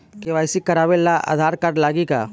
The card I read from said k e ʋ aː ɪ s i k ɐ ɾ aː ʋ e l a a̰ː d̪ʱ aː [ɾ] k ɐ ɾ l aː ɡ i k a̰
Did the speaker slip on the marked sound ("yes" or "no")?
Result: no